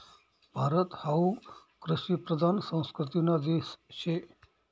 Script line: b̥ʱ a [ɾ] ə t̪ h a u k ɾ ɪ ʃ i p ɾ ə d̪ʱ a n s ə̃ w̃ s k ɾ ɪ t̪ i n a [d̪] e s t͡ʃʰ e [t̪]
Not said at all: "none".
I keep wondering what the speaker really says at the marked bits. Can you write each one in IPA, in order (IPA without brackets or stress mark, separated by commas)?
ɾ, d̪, none